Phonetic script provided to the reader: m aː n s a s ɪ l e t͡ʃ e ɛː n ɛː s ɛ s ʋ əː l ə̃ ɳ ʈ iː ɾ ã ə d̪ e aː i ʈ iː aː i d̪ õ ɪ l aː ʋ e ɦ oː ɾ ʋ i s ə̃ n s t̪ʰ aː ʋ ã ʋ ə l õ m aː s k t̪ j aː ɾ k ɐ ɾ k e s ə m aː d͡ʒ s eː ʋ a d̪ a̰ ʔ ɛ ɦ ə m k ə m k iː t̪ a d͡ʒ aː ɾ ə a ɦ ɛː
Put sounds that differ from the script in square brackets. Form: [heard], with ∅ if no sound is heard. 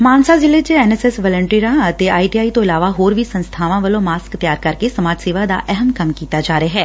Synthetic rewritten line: m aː n s a [z] ɪ l e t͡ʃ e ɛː n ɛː s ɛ s ʋ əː l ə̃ ɳ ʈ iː ɾ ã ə [t̪] e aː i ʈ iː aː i [t̪] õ ɪ l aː ʋ [a] ɦ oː ɾ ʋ i s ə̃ n s t̪ʰ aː ʋ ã ʋ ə l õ m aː s k t̪ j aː ɾ k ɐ ɾ k e s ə m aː d͡ʒ s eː ʋ a d̪ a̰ ʔ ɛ ɦ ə m k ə m k iː t̪ a d͡ʒ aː ɾ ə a ɦ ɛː